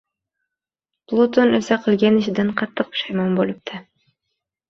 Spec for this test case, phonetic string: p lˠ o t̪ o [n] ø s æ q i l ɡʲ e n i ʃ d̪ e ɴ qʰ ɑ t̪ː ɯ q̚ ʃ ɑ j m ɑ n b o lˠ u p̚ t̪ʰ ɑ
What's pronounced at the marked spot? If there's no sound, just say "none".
n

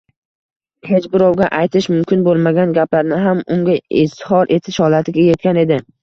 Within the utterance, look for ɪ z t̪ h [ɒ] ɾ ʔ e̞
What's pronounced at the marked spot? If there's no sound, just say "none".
ɒ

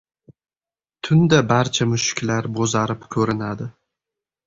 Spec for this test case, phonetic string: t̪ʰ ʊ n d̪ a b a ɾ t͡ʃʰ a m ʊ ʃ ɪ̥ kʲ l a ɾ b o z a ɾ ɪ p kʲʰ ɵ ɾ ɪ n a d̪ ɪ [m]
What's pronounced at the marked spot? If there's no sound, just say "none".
none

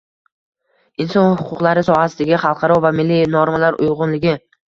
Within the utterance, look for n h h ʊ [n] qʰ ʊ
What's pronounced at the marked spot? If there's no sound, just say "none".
none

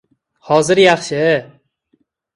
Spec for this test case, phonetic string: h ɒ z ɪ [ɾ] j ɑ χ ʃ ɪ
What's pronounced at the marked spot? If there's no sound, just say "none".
ɾ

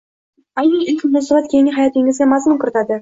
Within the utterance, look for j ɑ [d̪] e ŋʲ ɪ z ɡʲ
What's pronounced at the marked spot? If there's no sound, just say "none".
t̪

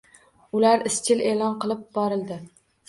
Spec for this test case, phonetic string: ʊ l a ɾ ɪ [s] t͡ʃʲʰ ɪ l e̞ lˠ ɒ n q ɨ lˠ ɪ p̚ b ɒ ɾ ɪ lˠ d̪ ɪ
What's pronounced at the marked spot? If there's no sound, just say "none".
s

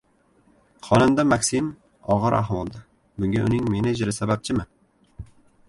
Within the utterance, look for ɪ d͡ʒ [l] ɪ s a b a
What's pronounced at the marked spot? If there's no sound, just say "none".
ɾ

